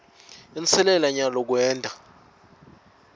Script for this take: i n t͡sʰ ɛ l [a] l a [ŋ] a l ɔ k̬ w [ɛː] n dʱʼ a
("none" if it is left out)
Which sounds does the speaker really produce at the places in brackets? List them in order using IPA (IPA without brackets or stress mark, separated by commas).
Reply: ɛ, ɲ, ɛː